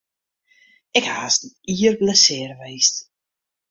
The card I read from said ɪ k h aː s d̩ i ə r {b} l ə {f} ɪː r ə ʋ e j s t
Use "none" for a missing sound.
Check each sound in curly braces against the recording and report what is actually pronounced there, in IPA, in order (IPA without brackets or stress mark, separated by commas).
b, s